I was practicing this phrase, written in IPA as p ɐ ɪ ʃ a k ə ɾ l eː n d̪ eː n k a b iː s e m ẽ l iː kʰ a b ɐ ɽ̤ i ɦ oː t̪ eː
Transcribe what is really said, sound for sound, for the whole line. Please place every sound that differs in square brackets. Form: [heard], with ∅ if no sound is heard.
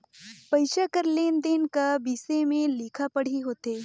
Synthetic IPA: p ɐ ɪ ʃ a k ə ɾ l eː n d̪ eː n k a b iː s e m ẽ l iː kʰ a [p] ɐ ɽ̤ i ɦ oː t̪ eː